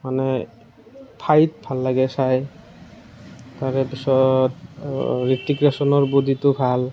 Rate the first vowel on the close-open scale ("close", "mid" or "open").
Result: open